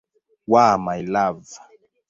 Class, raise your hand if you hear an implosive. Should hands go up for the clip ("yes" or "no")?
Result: no